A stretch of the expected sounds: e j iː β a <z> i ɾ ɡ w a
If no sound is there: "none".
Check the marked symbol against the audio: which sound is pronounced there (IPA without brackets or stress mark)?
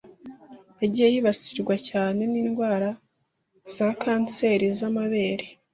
s